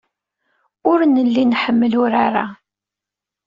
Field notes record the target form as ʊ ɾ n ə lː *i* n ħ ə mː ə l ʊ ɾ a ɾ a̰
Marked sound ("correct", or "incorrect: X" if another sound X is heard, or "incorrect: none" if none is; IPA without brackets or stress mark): correct